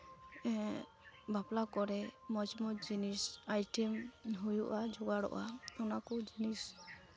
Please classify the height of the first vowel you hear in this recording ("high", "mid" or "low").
low